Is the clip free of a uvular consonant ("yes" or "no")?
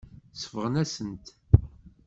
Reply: no